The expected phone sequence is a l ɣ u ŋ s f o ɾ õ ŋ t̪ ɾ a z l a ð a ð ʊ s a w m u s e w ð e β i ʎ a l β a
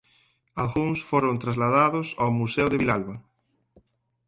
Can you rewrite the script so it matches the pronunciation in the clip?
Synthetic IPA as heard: a l ɣ u ŋ s f o ɾ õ n t̪ ɾ a z l a ð a ð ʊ s a w m u s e w ð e β i l a l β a